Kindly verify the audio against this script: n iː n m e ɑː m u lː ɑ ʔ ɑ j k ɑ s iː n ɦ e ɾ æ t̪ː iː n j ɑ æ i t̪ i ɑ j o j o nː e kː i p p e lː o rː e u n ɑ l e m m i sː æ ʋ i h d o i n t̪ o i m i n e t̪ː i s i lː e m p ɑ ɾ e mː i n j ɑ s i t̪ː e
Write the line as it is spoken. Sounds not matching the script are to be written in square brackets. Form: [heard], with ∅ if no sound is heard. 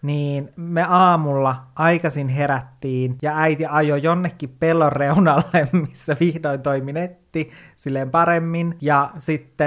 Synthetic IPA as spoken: n iː n m e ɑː m u lː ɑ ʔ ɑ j k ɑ s [i] n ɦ e ɾ æ t̪ː iː n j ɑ æ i t̪ i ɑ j o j o nː e kː i p p e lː o rː e u n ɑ [lː] e m m i sː æ ʋ i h d o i n t̪ o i m i n e t̪ː i s i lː e m p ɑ ɾ e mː i n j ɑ s i t̪ː e